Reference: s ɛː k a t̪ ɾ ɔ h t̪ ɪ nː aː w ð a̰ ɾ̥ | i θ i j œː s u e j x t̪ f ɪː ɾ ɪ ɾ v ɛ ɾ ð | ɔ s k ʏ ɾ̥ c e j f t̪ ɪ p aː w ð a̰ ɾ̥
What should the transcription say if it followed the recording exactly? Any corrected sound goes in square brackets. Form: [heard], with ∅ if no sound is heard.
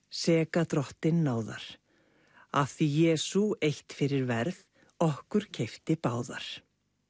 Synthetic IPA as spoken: s ɛː k a t̪ ɾ ɔ h t̪ ɪ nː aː w ð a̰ ɾ̥ | [a] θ i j [ɛː] s u e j [h] t̪ f [ɪ] ɾ ɪ ɾ v ɛ ɾ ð | ɔ [h] k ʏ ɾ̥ [cʰ] e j f t̪ ɪ p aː w ð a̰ ɾ̥